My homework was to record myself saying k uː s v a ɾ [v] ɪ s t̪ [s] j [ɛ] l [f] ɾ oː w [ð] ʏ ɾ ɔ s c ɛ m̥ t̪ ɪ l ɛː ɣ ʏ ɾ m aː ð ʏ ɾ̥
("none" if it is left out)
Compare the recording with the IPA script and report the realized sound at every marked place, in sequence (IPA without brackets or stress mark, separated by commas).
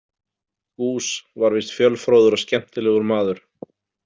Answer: v, f, œ, f, ð